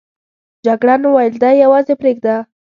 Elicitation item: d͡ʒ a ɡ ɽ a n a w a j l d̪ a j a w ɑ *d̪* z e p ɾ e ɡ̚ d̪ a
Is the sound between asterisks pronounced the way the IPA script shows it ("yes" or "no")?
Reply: no